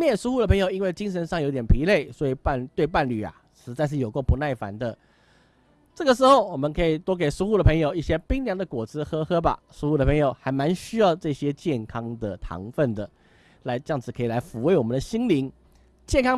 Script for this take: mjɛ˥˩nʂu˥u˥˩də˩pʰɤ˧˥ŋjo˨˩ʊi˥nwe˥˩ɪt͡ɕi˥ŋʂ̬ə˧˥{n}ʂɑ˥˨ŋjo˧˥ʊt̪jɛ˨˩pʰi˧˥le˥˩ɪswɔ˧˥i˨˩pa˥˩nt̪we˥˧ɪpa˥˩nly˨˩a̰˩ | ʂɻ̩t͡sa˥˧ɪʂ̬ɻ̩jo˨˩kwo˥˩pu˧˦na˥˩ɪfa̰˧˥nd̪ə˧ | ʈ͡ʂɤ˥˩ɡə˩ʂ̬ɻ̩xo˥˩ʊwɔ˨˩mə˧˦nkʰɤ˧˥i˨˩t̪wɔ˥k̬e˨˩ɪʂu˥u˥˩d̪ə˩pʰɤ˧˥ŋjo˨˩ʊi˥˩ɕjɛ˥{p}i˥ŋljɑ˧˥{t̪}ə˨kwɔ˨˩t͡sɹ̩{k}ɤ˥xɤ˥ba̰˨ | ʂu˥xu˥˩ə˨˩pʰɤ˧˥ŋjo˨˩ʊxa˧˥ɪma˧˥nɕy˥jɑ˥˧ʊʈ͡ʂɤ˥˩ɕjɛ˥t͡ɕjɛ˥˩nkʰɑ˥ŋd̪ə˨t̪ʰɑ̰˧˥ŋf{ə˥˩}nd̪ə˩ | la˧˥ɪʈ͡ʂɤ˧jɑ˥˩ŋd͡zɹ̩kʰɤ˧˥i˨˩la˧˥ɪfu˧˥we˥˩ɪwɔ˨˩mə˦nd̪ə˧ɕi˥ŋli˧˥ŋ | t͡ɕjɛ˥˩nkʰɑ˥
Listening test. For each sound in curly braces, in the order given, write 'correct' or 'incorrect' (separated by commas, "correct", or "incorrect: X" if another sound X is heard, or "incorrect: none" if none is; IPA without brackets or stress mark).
correct, correct, incorrect: d̪, incorrect: x, correct